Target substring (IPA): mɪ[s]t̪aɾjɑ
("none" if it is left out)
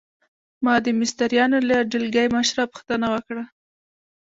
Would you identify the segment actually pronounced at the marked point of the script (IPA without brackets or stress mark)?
s